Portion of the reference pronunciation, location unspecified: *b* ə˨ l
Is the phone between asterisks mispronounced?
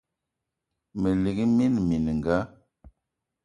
yes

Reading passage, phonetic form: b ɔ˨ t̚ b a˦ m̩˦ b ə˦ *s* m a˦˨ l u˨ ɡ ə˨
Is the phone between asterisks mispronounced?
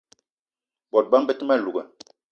yes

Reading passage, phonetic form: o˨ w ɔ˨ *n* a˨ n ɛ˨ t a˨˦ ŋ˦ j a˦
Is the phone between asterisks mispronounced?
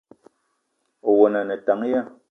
no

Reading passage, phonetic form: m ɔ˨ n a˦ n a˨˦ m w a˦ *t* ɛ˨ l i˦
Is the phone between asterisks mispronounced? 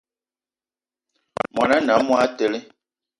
no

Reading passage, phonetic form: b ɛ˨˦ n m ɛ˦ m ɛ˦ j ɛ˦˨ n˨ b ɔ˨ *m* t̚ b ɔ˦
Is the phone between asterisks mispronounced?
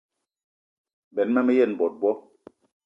yes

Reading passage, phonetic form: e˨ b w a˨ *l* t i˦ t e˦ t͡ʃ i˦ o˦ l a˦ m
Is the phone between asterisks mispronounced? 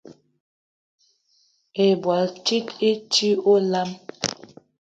no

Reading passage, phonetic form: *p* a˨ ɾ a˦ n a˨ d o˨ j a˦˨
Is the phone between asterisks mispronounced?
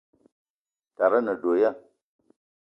yes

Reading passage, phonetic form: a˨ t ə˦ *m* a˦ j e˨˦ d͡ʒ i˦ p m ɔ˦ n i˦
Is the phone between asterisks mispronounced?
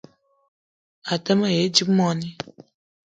no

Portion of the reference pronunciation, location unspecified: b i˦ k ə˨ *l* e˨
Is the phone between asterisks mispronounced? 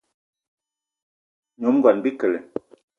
no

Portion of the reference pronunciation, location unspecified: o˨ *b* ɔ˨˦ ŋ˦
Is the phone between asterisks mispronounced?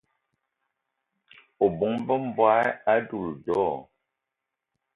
no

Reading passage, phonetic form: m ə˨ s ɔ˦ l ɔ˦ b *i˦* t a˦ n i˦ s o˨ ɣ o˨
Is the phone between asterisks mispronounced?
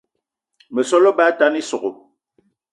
yes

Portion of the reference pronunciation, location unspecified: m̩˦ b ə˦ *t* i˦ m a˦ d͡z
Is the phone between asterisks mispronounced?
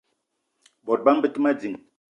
no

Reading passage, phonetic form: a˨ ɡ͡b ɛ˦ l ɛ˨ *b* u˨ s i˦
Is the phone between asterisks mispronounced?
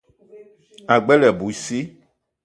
no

